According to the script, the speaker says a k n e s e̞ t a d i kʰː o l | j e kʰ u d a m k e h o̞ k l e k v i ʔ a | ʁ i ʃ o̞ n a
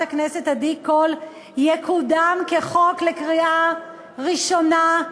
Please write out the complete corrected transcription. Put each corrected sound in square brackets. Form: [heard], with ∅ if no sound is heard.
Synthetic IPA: a k n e s e̞ t a d i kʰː o l | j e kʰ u d a m k e [χ] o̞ k l e k [ʁ] i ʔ a | ʁ i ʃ o̞ n a